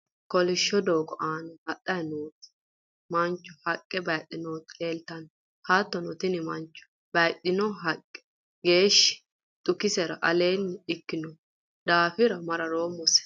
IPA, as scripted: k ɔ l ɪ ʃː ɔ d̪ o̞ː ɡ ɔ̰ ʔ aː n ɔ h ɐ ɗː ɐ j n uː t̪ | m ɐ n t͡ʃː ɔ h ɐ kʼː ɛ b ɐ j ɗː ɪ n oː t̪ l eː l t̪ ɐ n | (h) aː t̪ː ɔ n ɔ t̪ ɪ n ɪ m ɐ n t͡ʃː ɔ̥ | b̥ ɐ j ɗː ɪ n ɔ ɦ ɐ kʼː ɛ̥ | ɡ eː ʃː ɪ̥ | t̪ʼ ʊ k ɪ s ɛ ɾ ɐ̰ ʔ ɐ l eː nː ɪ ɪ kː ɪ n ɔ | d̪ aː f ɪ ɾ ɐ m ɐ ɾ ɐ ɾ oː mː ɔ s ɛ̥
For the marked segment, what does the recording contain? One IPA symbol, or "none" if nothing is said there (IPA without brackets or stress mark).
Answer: h